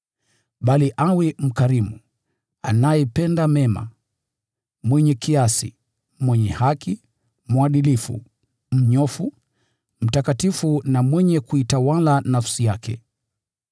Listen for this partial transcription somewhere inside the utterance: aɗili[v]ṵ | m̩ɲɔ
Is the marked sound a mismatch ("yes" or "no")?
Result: yes